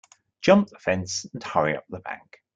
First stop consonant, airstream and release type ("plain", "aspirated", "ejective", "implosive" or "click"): plain